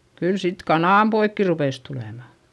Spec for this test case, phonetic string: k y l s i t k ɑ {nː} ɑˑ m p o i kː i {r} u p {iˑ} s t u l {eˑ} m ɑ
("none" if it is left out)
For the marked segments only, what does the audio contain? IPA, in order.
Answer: n, r, eˑ, eˑ

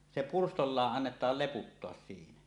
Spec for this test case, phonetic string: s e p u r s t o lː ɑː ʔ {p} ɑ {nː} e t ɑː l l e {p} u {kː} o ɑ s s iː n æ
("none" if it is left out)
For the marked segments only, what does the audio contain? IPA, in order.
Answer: ʔ, nː, p, tː

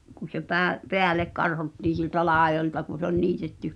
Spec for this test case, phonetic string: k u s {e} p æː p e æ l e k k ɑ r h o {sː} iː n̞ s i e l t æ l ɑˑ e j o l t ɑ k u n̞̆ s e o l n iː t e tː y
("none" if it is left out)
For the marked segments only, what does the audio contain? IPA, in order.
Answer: e, tː

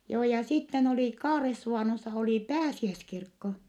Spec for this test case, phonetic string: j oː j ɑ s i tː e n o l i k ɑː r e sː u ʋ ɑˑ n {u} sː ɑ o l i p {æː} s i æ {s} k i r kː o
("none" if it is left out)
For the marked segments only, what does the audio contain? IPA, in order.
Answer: o, æː, s

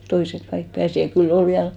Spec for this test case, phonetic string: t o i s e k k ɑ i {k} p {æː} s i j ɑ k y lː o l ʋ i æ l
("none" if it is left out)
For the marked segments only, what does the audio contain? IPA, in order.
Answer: k, æː

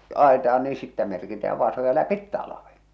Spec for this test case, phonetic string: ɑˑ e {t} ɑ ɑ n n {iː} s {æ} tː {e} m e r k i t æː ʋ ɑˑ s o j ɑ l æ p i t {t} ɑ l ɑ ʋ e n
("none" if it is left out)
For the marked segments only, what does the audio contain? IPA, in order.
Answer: t, iː, i, æ, t

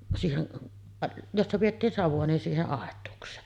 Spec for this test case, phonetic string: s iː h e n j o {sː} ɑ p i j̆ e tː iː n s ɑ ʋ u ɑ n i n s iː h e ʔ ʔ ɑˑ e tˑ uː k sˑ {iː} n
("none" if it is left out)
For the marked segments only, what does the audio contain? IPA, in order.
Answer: sː, eː

